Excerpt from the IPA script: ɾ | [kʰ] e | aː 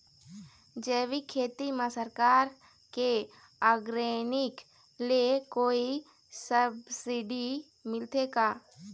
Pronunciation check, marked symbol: incorrect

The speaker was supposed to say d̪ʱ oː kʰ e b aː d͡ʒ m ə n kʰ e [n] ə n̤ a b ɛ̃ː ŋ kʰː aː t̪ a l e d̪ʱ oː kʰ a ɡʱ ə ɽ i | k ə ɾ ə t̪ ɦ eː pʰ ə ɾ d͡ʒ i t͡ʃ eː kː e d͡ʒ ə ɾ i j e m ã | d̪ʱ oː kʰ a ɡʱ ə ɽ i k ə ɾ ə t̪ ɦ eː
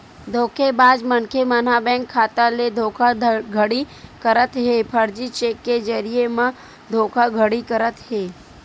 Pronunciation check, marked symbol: incorrect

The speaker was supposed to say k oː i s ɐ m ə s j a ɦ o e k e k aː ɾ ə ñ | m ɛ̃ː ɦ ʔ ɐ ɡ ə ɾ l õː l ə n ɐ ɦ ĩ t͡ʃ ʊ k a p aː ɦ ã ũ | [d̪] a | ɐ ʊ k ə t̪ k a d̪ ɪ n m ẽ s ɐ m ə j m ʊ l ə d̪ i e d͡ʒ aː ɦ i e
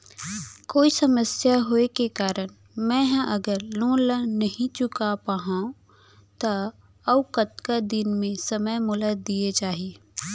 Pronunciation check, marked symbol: incorrect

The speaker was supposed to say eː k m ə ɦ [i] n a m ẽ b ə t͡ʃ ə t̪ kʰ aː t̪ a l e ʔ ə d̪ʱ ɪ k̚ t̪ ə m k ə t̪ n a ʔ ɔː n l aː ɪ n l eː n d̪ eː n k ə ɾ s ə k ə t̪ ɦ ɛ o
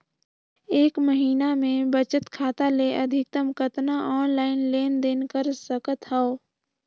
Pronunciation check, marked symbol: incorrect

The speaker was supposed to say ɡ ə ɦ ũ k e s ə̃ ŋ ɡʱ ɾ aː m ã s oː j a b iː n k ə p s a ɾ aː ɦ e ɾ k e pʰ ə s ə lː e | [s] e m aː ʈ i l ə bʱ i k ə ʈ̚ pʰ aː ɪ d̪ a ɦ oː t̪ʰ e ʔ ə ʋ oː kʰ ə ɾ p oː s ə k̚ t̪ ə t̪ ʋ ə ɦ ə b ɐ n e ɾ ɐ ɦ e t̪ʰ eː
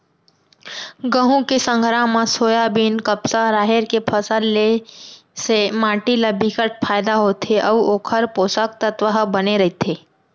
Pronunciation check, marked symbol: correct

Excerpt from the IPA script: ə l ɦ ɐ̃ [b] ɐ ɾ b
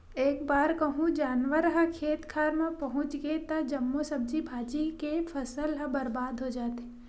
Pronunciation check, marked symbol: correct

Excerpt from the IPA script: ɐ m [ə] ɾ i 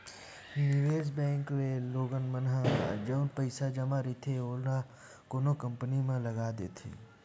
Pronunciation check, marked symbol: incorrect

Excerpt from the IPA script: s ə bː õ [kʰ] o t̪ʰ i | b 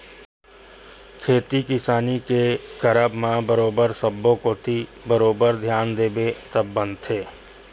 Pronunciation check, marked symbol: incorrect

